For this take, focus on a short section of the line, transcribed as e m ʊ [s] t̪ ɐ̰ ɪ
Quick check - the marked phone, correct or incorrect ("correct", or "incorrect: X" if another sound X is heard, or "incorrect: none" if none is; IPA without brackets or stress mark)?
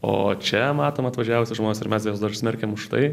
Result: incorrect: ʃ